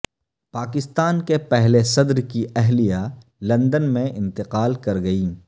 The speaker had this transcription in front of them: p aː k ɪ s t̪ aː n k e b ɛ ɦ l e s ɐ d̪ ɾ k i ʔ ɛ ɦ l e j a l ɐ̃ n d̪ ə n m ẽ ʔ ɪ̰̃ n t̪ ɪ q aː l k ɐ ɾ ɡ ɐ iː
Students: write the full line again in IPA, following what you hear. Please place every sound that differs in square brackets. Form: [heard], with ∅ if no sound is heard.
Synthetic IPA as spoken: p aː k ɪ s t̪ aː n k e [p] ɛ ɦ l e s ɐ d̪ ɾ k i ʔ ɛ ɦ l [i] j a l ɐ̃ n d̪ ə n m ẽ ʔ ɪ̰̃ n t̪ ɪ q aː l k ɐ ɾ ɡ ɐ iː